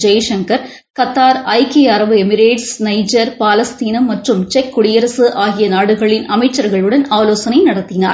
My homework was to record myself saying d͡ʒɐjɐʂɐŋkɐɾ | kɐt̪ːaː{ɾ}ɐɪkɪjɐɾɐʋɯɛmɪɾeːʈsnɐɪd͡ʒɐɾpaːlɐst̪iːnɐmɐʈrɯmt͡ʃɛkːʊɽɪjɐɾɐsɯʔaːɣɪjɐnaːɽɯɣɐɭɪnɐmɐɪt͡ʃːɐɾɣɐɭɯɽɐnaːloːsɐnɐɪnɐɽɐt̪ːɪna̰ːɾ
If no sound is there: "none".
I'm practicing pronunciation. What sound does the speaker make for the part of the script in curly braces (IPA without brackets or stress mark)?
ɾ